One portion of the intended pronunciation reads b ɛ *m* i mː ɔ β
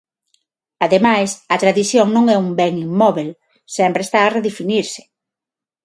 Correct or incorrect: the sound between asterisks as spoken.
incorrect: ŋ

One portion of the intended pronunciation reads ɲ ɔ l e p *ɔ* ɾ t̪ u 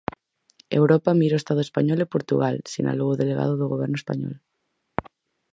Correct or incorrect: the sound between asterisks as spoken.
incorrect: o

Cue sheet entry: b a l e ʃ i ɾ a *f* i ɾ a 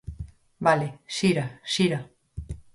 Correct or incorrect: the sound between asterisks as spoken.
incorrect: ʃ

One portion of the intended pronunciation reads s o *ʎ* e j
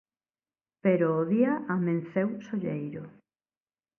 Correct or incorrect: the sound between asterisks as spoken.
correct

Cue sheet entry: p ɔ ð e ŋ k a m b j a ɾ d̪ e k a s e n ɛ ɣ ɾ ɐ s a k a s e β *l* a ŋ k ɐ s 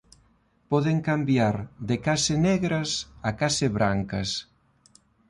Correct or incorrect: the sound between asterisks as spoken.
incorrect: ɾ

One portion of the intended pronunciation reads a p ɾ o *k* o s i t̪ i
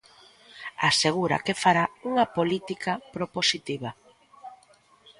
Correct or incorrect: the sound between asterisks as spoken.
incorrect: p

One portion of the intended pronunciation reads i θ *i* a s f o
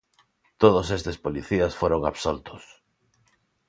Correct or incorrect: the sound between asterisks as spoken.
correct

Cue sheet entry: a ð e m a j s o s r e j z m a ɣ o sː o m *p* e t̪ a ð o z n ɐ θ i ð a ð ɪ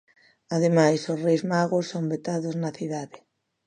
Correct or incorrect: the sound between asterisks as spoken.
incorrect: b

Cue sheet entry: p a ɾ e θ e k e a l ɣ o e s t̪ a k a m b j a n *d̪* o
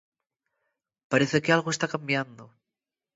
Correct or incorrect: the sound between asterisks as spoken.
correct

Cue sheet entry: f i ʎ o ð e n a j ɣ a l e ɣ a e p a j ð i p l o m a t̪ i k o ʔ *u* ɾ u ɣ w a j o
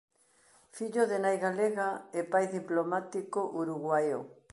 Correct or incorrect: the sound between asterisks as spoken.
correct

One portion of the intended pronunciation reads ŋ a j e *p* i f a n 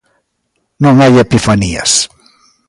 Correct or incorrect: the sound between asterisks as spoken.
correct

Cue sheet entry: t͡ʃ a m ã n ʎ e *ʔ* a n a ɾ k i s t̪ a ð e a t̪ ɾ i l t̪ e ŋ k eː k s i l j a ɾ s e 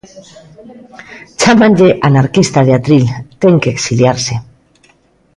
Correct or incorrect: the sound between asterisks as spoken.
correct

